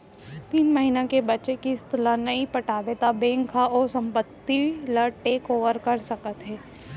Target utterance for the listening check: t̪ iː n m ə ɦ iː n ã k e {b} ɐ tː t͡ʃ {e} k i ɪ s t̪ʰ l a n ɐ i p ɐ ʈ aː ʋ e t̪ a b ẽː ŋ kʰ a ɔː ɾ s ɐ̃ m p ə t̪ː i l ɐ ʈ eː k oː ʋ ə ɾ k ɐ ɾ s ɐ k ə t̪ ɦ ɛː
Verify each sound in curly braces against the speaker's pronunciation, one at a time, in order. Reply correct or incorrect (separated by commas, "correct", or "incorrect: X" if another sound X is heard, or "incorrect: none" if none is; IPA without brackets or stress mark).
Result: correct, correct